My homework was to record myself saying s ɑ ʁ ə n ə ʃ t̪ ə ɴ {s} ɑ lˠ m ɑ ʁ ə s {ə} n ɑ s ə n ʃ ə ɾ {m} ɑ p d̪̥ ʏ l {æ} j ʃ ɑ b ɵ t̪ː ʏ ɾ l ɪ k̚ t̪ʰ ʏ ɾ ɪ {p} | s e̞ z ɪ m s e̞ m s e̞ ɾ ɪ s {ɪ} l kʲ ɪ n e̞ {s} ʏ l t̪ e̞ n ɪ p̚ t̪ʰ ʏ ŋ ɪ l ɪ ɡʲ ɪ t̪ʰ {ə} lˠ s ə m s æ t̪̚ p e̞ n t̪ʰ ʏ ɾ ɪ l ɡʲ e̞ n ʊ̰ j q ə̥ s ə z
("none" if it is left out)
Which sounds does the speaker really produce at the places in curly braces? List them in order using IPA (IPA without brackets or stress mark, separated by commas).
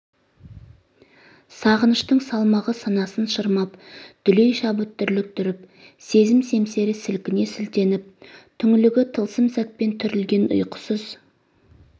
s, ɑ, m, e, p, ɪ, s, ə